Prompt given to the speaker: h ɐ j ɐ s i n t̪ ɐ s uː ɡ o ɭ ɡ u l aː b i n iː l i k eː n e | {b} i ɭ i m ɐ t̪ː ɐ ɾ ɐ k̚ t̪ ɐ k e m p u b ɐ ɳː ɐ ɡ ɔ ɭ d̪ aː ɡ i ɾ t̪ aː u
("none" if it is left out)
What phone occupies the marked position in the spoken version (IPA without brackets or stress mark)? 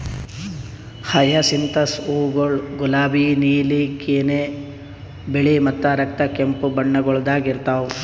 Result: b